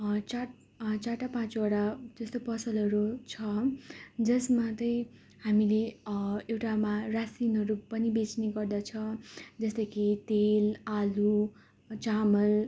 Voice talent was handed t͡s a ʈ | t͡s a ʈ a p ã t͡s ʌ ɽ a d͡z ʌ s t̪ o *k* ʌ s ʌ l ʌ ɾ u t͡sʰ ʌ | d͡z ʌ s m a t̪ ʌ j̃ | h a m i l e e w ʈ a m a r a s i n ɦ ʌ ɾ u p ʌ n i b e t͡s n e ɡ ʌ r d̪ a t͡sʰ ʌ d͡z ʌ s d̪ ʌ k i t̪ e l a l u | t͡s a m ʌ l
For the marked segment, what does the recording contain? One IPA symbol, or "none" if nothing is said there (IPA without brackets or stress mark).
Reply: p